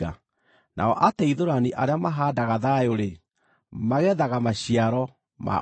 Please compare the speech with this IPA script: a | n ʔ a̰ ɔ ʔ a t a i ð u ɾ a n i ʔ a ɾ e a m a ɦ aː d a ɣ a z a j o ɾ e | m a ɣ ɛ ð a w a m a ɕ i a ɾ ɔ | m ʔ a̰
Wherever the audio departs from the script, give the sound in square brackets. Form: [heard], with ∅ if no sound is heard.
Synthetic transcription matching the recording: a | n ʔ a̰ ɔ ʔ a t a i ð [o] ɾ a n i ʔ a ɾ e a m a ɦ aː d a ɣ a [ð] a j o ɾ e | m a ɣ ɛ ð a [ɣ] a m a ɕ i a ɾ ɔ | m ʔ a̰